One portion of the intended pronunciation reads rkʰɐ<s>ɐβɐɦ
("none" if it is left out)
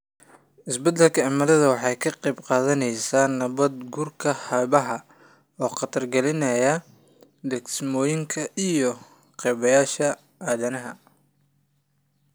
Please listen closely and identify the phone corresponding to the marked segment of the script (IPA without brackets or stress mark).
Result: h